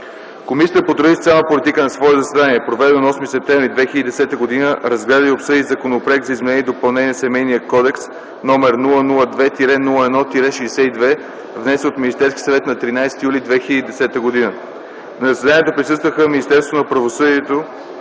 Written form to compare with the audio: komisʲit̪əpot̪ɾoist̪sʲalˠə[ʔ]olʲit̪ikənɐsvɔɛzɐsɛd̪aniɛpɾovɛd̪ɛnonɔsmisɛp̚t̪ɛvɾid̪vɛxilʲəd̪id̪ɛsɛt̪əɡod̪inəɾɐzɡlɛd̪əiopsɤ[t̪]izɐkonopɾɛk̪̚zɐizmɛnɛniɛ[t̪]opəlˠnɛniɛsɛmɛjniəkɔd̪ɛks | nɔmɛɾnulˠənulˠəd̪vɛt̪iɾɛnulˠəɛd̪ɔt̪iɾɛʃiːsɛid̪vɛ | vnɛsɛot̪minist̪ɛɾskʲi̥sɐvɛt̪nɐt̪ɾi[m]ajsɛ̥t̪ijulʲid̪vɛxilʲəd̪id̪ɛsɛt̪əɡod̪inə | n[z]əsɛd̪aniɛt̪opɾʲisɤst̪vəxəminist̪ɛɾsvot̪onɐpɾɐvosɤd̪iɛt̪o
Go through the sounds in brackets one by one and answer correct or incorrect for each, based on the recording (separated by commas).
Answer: incorrect, incorrect, incorrect, incorrect, correct